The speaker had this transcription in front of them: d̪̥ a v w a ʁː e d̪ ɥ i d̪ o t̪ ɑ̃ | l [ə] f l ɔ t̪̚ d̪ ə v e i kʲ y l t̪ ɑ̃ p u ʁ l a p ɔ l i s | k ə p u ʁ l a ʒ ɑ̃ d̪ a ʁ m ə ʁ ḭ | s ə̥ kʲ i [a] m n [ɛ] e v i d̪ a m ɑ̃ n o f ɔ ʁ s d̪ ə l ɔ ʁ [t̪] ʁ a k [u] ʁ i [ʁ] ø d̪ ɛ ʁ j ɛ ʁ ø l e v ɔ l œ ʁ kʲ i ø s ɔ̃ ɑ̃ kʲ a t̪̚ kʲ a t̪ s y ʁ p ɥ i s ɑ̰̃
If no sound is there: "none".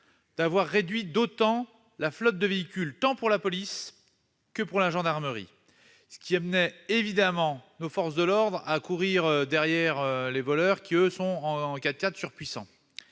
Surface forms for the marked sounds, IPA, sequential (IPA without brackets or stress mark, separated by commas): a, a, ɛ, d̪, u, ʁ